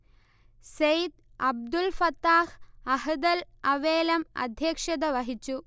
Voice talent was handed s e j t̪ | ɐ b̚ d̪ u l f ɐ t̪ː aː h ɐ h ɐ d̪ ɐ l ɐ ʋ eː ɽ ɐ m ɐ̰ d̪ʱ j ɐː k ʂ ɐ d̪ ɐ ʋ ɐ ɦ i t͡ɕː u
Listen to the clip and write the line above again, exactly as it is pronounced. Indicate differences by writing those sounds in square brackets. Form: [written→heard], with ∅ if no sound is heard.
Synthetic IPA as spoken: s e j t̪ | ɐ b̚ d̪ u l f ɐ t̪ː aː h ɐ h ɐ d̪ ɐ l ɐ ʋ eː [ɽ→l] ɐ m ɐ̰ d̪ʱ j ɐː k ʂ ɐ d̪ ɐ ʋ ɐ ɦ i t͡ɕː u